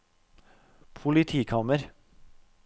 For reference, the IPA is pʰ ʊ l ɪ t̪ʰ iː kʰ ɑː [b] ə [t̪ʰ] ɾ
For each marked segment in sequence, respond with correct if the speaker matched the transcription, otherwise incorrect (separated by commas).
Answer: incorrect, incorrect